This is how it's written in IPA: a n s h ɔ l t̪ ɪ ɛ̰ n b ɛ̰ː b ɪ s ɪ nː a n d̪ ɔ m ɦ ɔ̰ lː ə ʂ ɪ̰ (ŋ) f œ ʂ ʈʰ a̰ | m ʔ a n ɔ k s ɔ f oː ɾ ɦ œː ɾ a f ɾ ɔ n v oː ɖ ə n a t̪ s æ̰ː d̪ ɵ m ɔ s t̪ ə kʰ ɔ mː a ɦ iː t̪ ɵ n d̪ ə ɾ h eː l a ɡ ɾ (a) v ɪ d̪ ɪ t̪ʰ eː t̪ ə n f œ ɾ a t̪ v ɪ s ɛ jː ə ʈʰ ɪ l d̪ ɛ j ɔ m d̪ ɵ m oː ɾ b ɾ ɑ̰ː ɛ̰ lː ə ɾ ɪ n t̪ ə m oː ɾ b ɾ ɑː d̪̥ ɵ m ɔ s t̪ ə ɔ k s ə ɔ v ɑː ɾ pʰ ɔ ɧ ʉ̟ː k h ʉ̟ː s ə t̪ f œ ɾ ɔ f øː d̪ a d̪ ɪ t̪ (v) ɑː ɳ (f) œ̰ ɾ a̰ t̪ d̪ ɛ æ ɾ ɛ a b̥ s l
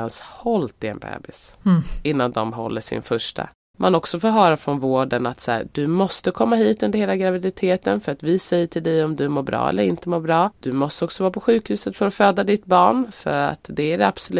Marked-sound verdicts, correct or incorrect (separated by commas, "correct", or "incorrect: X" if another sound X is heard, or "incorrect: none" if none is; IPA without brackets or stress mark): incorrect: n, correct, incorrect: b, correct